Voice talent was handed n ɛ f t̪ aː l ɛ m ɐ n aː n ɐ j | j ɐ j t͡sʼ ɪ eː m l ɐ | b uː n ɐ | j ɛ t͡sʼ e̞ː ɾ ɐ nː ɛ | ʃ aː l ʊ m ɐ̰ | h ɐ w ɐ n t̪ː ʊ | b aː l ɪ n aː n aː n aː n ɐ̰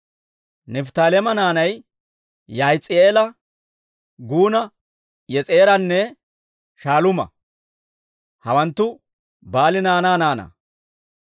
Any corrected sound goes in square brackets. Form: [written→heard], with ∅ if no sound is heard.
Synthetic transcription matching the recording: n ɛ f t̪ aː l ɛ m ɐ n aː n ɐ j | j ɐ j t͡sʼ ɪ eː [m→∅] l ɐ | [b→ɡ] uː n ɐ | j ɛ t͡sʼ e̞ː ɾ ɐ nː ɛ | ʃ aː l ʊ m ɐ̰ | h ɐ w ɐ n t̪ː ʊ | b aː l ɪ n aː n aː n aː n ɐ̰

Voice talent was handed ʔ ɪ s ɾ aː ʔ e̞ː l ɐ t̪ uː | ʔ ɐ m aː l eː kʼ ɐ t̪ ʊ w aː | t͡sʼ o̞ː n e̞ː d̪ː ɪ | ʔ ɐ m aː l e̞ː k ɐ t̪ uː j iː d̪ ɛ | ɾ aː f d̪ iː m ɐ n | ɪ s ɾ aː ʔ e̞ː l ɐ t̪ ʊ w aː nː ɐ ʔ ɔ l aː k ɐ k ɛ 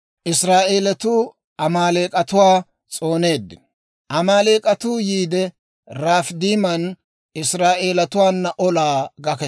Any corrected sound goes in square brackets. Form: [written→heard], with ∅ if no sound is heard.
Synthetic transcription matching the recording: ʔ ɪ s ɾ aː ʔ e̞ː l ɐ t̪ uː | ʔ ɐ m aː l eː kʼ ɐ t̪ ʊ w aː | t͡sʼ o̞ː n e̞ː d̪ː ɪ | ʔ ɐ m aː l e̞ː [k→kʼ] ɐ t̪ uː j iː d̪ ɛ | ɾ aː f d̪ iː m ɐ n | ɪ s ɾ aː ʔ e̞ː l ɐ t̪ ʊ w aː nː ɐ ʔ ɔ l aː [k→ɡ] ɐ k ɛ

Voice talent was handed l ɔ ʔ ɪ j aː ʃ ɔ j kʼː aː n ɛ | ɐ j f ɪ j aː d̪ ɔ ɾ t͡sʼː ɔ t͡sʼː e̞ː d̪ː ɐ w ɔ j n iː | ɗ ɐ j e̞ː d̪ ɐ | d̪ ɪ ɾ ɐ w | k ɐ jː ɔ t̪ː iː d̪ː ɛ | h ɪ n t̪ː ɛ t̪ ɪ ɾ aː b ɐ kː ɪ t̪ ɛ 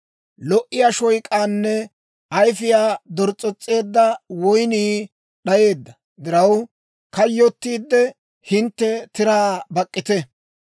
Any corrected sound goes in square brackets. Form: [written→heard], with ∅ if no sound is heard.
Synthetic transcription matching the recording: l ɔ ʔ ɪ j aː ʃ ɔ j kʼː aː [n→nː] ɛ | ɐ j f ɪ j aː d̪ ɔ ɾ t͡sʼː ɔ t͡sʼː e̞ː d̪ː ɐ w ɔ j n iː | ɗ ɐ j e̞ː [d̪→d̪ː] ɐ | d̪ ɪ ɾ ɐ w | k ɐ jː ɔ t̪ː iː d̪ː ɛ | h ɪ n t̪ː ɛ t̪ ɪ ɾ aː b ɐ [kː→kʼː] ɪ t̪ ɛ

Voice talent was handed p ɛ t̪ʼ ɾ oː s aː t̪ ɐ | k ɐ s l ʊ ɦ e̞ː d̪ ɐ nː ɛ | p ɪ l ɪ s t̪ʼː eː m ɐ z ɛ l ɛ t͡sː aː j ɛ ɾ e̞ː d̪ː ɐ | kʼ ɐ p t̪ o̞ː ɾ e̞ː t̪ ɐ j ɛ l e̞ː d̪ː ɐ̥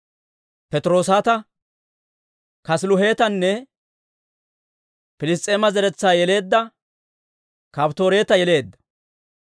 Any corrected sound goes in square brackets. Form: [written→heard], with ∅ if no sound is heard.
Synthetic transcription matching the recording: p ɛ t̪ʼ ɾ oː s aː t̪ ɐ | k ɐ s l ʊ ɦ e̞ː [d̪→t̪] ɐ nː ɛ | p ɪ l ɪ s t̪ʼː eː m ɐ z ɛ [l→ɾ] ɛ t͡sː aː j ɛ [ɾ→l] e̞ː d̪ː ɐ | [kʼ→k] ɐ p t̪ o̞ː ɾ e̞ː t̪ ɐ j ɛ l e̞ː d̪ː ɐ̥

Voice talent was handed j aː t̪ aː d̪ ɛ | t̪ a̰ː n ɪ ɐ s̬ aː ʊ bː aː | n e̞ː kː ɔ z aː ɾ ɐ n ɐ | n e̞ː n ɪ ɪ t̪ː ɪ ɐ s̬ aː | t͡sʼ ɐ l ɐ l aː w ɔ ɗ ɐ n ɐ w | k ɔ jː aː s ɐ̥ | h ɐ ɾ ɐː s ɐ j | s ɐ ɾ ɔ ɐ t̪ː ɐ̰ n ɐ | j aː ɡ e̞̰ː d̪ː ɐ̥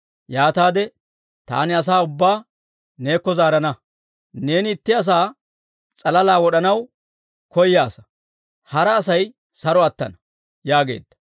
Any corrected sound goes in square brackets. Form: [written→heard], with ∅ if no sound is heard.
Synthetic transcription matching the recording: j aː t̪ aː d̪ ɛ | t̪ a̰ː n ɪ ɐ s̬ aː ʊ bː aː | n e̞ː kː ɔ z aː ɾ ɐ n ɐ | n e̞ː n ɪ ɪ t̪ː ɪ ɐ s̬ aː | t͡sʼ ɐ l ɐ l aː w ɔ ɗ ɐ n ɐ w | k ɔ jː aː s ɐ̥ | h ɐ ɾ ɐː s ɐ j | s ɐ ɾ ɔ ɐ t̪ː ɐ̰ n ɐ | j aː ɡ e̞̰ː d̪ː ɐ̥

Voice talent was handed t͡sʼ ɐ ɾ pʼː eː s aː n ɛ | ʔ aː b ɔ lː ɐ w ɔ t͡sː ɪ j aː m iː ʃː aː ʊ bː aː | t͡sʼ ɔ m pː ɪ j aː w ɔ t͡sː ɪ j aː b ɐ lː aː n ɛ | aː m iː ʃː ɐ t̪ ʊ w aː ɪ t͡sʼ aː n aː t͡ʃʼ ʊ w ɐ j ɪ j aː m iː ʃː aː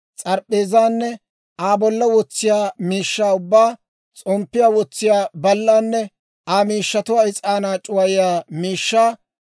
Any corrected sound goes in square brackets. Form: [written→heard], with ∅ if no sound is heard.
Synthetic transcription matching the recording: t͡sʼ ɐ ɾ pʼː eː [s→z] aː [n→nː] ɛ | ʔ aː b ɔ lː ɐ w ɔ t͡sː ɪ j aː m iː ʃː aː ʊ bː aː | t͡sʼ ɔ m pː ɪ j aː w ɔ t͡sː ɪ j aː b ɐ lː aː [n→nː] ɛ | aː m iː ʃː ɐ t̪ ʊ w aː ɪ t͡sʼ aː n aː t͡ʃʼ ʊ w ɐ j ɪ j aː m iː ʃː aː

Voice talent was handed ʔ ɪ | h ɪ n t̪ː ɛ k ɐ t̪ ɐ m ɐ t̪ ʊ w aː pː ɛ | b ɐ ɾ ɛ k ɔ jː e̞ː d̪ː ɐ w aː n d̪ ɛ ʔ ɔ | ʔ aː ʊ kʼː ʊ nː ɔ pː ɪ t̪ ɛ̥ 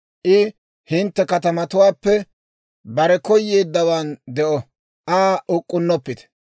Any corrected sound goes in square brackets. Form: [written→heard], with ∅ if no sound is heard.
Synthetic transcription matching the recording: ʔ ɪ | h ɪ n t̪ː ɛ k ɐ t̪ ɐ m ɐ t̪ ʊ w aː pː ɛ | b ɐ ɾ ɛ k ɔ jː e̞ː d̪ː ɐ w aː n d̪ ɛ ʔ ɔ | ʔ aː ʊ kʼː ʊ nː ɔ pː ɪ t̪ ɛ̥

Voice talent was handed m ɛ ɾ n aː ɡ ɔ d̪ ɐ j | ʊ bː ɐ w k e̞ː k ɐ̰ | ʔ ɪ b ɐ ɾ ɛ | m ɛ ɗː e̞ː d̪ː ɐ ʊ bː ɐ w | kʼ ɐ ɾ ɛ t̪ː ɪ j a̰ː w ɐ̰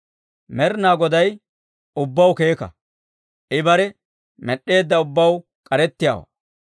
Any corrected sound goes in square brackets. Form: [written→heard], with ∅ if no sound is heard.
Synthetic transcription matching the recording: m ɛ ɾ n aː ɡ ɔ d̪ ɐ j | ʊ bː ɐ w k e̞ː k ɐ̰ | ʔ ɪ b ɐ ɾ ɛ | m ɛ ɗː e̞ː d̪ː ɐ ʊ bː ɐ w | kʼ ɐ ɾ ɛ t̪ː ɪ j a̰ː w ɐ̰

